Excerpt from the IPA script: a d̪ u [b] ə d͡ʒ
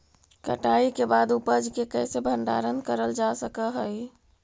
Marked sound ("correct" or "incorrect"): incorrect